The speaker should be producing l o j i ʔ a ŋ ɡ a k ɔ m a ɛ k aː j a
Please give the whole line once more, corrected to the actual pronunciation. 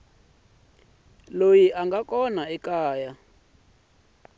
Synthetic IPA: l o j i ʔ a ŋ ɡ a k ɔ n a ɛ k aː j a